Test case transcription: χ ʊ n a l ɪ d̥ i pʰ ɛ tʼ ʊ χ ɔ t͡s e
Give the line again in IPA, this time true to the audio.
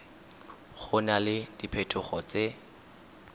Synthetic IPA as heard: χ ʊ n a l ɪ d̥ i pʰ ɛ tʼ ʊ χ ɔ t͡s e